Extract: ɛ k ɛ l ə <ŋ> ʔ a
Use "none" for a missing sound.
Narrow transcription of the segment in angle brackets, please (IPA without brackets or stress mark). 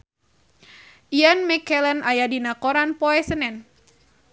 n